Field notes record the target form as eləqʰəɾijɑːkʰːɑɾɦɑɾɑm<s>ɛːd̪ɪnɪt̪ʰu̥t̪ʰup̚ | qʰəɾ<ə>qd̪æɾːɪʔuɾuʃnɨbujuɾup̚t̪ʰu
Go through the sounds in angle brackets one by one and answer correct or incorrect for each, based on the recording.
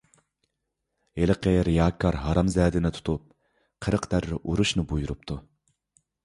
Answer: incorrect, correct

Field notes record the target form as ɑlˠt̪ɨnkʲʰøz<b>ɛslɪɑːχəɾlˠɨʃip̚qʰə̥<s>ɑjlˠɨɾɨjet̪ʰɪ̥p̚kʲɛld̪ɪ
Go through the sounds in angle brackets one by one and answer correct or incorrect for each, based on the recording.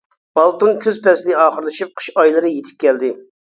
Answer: incorrect, incorrect

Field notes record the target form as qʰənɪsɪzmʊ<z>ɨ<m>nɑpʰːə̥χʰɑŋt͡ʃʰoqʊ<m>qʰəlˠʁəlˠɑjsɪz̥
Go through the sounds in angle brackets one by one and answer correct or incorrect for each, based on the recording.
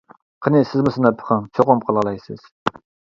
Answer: incorrect, incorrect, correct

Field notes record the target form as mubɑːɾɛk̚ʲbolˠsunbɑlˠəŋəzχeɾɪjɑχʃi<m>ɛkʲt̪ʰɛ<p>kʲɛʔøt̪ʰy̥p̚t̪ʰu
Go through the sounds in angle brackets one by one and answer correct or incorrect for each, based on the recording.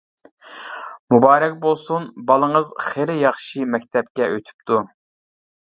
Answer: correct, correct

